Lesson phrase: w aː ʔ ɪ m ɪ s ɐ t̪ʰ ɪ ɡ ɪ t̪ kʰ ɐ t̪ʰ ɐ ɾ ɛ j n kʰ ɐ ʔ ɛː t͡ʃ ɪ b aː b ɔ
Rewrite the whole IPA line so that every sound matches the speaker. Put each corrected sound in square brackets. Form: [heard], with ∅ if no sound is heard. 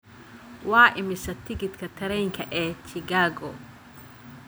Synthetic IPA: w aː ʔ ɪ m ɪ s ɐ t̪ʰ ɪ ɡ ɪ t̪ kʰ ɐ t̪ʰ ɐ ɾ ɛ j [ŋ] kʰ ɐ ʔ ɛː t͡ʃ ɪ [ɡ] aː [ɡ] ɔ